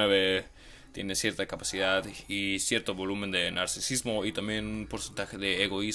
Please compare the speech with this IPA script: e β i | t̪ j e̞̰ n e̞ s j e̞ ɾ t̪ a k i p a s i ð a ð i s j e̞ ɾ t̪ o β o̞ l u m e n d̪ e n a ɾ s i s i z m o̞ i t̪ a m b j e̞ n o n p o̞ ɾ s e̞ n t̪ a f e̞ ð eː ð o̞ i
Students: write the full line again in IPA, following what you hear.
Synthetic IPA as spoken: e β e | t̪ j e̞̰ n e̞ s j e̞ ɾ t̪ a k a p a s i ð a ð i s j e̞ ɾ t̪ o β o̞ l u m e n d̪ e n a ɾ s i s i z m o̞ i t̪ a m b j e̞ n u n p o̞ ɾ s e̞ n t̪ a x e̞ ð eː ɣ o̞ i